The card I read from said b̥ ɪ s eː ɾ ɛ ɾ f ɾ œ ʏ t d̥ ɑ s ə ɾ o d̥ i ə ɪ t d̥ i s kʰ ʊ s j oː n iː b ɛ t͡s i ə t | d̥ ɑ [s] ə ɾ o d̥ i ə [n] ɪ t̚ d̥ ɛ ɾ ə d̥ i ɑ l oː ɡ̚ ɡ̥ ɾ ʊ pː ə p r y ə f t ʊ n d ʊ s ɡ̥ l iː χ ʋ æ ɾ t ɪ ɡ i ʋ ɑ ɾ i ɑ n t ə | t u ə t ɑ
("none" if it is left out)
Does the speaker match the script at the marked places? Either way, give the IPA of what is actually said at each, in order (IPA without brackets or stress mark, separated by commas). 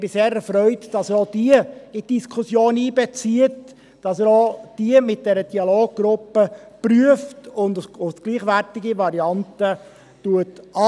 s, m